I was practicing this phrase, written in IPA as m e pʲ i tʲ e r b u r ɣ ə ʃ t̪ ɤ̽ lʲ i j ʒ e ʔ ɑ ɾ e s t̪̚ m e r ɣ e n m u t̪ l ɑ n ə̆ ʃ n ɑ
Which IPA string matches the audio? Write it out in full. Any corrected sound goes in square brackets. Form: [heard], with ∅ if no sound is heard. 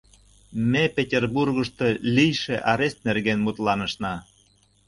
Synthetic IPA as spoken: m e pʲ [e] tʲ e r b u r ɣ ə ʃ t̪ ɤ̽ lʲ i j [ʃ] e ʔ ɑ ɾ e s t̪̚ [n] e r ɣ e n m u t̪ l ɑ n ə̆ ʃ n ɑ